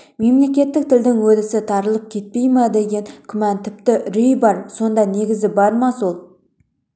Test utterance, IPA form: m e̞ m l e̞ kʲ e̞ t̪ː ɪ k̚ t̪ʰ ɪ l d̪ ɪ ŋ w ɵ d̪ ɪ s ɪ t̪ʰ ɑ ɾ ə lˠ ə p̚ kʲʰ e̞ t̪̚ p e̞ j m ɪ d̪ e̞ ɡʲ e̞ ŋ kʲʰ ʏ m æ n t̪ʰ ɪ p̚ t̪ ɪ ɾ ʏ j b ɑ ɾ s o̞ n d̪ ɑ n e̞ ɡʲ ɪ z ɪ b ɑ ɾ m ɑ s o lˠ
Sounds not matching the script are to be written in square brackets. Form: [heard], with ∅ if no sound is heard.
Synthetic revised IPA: m e̞ m l e̞ kʲ e̞ t̪ː ɪ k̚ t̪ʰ ɪ l d̪ ɪ ŋ w ɵ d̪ ɪ s ɪ t̪ʰ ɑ ɾ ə lˠ ə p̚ kʲʰ e̞ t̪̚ p e̞ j m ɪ d̪ e̞ ɡʲ e̞ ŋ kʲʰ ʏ m æ n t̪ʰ ɪ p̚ t̪ ɪ ɾ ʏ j b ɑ ɾ s o̞ n d̪ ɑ n e̞ ɡʲ ɪ z ɪ b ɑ ɾ m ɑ s o lˠ

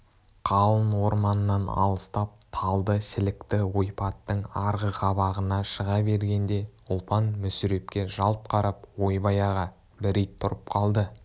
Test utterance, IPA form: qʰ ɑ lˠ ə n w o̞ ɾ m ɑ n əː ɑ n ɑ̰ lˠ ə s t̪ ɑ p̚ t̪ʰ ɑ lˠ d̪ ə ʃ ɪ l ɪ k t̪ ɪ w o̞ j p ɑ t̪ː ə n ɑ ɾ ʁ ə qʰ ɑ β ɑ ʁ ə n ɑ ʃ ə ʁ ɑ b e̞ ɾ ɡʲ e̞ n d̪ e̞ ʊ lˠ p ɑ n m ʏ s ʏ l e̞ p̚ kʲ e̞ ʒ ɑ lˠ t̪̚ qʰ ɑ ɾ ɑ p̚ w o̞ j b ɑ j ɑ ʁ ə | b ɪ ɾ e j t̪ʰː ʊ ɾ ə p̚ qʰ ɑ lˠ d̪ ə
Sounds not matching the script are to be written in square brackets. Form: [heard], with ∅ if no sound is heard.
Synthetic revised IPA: qʰ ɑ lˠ ə n w o̞ ɾ m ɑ n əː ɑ n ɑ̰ lˠ ə s t̪ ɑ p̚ t̪ʰ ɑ lˠ d̪ ə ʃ ɪ l ɪ k t̪ ɪ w o̞ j p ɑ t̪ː ə [ɴ] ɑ ɾ ʁ ə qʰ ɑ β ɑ ʁ ə n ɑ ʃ ə ʁ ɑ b e̞ ɾ ɡʲ e̞ n d̪ e̞ ʊ lˠ p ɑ n m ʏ s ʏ [ɾ] e̞ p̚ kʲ e̞ ʒ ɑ lˠ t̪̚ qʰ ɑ ɾ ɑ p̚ w o̞ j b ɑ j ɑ ʁ [ɑ] | b ɪ ɾ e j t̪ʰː ʊ ɾ ə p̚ qʰ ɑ lˠ d̪ ə

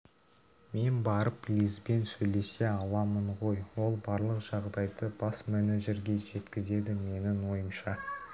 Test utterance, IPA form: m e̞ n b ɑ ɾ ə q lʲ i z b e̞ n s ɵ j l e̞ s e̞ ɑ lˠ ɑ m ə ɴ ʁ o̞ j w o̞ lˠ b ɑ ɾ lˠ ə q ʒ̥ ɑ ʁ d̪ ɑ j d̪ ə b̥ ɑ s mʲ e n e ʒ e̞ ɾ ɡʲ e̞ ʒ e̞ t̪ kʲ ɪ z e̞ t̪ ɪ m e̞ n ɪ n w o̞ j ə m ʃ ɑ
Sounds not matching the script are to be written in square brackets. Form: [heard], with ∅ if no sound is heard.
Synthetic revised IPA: m e̞ n b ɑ ɾ ə [p] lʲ i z b e̞ n s ɵ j l e̞ s e̞ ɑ lˠ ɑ m ə ɴ ʁ o̞ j w o̞ lˠ b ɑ ɾ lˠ ə q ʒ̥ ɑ ʁ d̪ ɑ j d̪ ə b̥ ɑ s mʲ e n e ʒ e̞ ɾ ɡʲ e̞ ʒ e̞ t̪ kʲ ɪ z e̞ [d̪] ɪ m e̞ n ɪ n w o̞ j ə m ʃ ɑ

